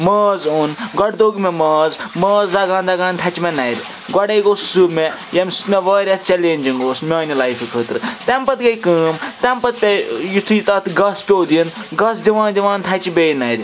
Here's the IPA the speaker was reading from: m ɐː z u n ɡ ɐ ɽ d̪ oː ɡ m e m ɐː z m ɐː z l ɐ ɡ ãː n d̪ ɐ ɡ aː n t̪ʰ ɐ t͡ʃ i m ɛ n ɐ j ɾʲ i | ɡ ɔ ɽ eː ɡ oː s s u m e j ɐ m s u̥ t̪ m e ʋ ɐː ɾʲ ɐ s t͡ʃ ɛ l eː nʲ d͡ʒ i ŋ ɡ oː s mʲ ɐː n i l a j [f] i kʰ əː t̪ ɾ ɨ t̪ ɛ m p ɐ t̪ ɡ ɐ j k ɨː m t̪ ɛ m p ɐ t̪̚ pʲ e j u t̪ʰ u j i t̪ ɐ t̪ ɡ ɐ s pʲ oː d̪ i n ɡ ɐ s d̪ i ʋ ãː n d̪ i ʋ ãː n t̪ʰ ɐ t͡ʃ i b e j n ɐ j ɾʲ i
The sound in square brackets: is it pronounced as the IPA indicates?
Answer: yes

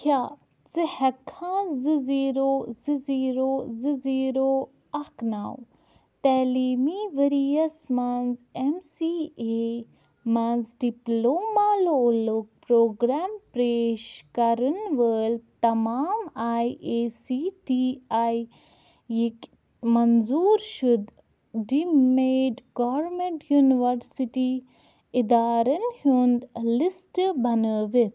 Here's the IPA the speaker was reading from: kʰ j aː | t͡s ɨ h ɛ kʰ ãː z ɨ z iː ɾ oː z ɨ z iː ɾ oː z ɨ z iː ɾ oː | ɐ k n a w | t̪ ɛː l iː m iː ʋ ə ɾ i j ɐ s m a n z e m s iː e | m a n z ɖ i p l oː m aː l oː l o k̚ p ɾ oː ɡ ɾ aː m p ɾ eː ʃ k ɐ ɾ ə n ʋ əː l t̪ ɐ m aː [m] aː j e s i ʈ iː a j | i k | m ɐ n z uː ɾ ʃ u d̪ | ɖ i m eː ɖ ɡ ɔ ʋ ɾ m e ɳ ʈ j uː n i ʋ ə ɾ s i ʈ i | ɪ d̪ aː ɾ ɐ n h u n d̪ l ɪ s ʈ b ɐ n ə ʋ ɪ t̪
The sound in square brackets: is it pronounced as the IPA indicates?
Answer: yes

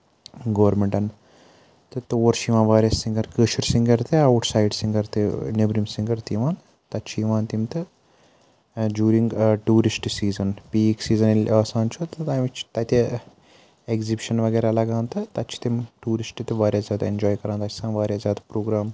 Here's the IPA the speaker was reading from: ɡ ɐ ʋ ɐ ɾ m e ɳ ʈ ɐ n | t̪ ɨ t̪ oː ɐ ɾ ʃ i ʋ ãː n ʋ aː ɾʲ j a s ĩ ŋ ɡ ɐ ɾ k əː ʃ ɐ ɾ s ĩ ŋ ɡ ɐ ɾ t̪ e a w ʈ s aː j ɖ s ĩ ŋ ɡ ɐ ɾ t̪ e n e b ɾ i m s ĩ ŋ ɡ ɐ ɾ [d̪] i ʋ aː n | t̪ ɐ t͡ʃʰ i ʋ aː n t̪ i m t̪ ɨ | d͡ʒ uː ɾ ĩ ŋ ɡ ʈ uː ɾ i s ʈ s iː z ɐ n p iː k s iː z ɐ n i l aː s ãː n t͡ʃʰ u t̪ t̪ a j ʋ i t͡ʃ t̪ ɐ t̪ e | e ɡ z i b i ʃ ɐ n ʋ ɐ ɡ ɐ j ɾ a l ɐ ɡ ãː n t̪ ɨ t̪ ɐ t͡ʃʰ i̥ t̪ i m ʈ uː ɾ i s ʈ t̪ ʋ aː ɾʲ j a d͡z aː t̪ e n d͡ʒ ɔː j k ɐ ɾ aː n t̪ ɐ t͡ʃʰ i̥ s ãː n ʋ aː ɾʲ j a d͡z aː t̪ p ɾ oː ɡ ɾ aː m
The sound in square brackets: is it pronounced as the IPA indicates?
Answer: no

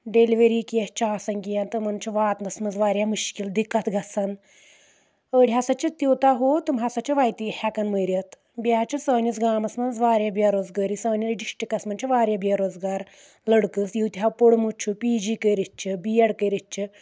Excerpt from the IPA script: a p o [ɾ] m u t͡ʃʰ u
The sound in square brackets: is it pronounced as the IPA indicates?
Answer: no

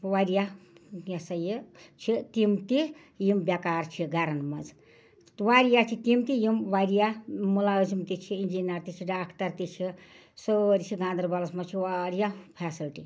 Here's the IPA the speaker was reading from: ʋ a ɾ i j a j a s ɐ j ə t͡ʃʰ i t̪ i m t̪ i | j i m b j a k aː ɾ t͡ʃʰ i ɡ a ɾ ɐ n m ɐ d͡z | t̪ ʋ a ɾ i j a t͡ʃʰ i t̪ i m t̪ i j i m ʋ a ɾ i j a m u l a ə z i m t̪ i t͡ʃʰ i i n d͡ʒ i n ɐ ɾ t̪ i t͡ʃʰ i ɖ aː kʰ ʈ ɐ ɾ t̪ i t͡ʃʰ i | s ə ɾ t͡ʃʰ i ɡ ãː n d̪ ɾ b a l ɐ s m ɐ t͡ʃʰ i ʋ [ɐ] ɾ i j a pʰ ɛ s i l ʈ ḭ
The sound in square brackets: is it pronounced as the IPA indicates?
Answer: no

